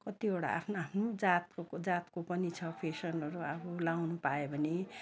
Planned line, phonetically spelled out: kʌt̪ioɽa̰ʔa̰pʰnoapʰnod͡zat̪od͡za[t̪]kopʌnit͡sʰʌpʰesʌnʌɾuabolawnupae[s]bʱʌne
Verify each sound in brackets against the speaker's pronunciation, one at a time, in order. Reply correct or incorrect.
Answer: correct, incorrect: none

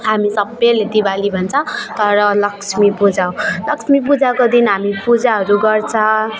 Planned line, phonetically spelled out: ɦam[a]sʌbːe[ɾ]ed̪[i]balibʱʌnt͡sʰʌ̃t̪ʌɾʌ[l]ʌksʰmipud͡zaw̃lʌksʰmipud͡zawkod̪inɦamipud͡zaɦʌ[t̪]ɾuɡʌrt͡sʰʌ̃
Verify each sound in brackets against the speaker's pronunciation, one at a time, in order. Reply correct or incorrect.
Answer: incorrect: i, incorrect: l, correct, correct, incorrect: none

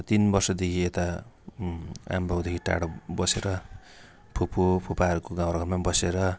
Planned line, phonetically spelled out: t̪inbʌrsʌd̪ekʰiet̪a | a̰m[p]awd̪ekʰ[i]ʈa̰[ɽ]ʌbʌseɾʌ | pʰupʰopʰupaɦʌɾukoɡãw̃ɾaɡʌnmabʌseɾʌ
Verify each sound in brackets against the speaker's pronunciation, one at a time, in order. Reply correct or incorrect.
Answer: incorrect: b, correct, correct

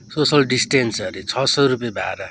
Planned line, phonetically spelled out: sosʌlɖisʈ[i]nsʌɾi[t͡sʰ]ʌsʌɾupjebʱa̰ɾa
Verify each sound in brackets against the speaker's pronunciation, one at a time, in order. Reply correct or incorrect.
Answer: incorrect: e, correct

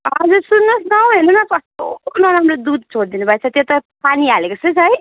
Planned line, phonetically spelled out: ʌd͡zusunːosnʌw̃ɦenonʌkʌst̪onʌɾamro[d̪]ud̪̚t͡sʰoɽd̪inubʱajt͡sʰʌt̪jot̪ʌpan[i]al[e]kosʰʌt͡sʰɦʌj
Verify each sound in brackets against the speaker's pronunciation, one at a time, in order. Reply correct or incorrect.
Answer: correct, correct, correct

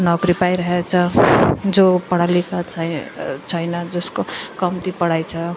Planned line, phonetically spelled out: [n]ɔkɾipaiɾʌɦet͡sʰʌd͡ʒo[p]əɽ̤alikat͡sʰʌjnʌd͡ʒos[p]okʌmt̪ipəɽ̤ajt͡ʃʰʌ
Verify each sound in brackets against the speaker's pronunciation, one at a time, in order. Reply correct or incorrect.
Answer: correct, correct, incorrect: k

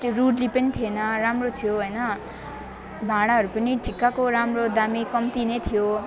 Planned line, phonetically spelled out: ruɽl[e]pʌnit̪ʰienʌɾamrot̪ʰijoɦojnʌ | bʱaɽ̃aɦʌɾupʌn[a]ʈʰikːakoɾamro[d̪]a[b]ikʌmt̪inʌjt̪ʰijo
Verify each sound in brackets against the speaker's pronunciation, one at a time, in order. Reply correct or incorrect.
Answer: incorrect: i, incorrect: i, correct, incorrect: m

